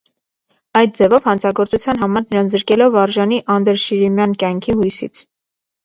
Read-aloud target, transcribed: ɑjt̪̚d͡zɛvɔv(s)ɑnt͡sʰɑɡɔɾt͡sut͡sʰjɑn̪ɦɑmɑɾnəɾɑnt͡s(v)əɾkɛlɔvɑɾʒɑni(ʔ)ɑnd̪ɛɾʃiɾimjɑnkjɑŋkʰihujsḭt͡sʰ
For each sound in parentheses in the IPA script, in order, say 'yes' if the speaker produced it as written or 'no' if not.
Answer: no, no, yes

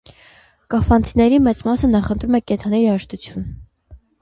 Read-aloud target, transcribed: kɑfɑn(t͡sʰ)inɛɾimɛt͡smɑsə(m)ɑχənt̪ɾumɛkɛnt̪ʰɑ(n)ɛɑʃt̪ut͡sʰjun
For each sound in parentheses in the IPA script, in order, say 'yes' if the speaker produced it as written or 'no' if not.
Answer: yes, no, yes

